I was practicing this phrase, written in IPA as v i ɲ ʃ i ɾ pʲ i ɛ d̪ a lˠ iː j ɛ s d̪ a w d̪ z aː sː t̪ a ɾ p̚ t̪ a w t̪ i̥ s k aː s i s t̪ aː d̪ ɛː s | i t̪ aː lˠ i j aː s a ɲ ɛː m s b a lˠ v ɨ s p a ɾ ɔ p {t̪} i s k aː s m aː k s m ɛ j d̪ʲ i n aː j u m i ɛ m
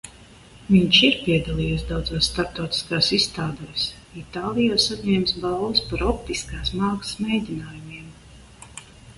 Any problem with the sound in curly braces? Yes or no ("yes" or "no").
no